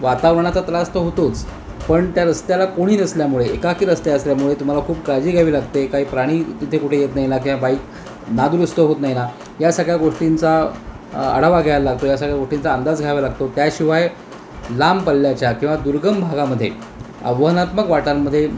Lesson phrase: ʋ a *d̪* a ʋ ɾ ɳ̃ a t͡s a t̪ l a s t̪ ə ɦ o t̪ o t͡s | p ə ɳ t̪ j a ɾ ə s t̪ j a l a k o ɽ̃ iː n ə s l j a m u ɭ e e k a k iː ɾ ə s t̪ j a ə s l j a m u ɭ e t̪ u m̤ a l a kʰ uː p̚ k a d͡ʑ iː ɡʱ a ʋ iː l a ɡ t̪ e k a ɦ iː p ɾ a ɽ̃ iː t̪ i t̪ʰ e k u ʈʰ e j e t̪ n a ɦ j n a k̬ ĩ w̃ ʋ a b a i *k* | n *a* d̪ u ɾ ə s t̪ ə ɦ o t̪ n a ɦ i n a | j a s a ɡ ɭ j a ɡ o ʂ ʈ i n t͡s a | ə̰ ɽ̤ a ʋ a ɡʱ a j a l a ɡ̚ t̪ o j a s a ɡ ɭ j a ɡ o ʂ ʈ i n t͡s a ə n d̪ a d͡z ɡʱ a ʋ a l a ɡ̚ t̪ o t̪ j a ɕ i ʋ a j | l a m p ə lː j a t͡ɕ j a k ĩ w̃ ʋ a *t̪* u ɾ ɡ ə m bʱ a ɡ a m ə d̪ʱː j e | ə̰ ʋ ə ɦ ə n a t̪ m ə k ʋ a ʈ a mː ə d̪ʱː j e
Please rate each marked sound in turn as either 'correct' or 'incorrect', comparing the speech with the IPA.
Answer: incorrect, correct, correct, incorrect

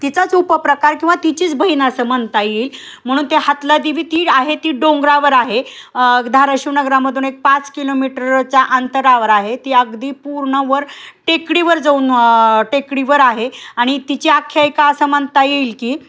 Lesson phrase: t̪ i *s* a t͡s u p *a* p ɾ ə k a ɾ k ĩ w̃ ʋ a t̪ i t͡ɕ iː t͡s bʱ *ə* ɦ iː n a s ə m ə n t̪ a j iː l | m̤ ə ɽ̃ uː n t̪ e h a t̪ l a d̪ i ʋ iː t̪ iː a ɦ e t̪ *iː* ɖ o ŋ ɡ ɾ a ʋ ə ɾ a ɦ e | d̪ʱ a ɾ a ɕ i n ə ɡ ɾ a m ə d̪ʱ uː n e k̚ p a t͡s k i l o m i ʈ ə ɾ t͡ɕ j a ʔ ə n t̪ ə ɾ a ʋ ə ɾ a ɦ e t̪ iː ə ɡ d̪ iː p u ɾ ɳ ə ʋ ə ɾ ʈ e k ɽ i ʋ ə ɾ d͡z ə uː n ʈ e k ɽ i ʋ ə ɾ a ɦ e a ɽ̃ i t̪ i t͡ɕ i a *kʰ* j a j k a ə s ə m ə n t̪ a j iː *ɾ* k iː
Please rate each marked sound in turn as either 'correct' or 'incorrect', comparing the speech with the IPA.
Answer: incorrect, incorrect, correct, correct, correct, incorrect

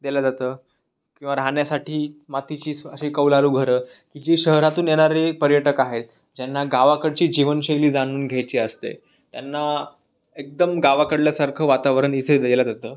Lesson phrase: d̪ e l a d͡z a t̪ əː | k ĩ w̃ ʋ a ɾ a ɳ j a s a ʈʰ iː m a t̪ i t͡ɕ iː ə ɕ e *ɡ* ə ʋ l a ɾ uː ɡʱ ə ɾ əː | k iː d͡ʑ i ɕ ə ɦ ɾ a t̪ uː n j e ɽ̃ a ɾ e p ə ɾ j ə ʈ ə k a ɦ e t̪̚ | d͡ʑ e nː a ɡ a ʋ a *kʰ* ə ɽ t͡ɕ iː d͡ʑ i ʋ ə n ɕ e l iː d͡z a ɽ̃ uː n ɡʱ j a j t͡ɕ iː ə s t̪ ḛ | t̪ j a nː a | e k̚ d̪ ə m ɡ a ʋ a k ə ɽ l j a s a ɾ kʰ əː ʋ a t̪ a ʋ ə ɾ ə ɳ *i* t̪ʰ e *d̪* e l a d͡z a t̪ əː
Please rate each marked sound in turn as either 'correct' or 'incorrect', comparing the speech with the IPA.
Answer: incorrect, incorrect, correct, correct

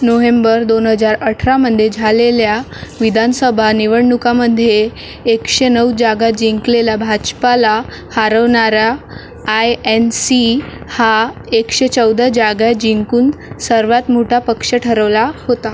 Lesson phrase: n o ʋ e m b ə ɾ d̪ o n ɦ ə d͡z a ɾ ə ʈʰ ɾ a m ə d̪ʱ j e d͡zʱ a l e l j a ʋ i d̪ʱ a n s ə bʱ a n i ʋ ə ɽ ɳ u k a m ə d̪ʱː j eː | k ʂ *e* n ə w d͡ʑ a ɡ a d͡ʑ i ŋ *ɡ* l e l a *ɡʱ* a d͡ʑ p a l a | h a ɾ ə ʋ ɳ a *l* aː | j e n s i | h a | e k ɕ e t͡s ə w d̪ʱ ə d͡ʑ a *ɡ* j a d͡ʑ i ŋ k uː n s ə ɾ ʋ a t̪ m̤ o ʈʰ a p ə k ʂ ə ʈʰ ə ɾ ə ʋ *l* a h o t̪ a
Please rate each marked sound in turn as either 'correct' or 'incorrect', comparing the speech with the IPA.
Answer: correct, incorrect, incorrect, incorrect, correct, correct

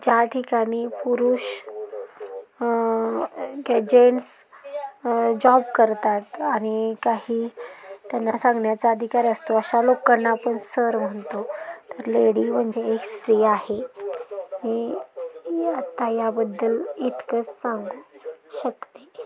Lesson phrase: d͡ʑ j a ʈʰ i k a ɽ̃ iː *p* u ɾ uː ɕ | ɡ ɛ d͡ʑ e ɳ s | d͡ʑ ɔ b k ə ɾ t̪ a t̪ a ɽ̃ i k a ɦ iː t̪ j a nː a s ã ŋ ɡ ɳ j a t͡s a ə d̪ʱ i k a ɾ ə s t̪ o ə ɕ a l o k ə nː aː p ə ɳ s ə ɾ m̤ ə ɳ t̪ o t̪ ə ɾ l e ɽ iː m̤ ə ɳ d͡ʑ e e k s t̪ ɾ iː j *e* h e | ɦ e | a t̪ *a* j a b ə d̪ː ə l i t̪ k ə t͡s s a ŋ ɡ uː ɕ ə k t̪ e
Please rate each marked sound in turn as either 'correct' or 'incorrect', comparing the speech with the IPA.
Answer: correct, incorrect, correct

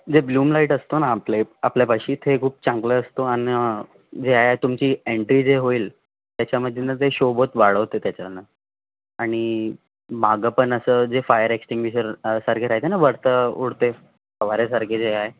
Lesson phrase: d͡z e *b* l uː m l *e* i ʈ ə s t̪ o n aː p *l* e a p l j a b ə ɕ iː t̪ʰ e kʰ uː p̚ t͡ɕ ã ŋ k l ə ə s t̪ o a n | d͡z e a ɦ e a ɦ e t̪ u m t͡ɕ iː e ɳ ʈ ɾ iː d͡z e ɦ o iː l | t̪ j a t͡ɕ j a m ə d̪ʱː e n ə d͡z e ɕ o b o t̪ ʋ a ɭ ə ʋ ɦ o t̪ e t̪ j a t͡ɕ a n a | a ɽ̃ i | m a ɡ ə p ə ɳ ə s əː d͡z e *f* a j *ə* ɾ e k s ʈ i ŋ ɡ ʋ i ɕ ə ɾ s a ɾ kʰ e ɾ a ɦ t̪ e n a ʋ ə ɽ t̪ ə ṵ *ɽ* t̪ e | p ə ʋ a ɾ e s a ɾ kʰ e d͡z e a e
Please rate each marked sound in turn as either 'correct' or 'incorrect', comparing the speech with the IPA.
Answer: correct, incorrect, correct, correct, correct, correct

